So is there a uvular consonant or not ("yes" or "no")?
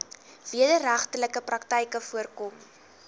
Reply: yes